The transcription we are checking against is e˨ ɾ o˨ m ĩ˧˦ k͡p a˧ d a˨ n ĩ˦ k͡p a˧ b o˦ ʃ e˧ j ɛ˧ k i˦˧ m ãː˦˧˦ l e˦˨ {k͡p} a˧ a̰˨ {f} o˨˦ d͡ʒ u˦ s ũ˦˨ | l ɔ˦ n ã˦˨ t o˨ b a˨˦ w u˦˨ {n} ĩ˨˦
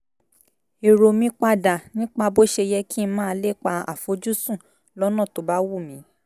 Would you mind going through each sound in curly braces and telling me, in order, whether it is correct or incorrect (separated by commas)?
correct, correct, incorrect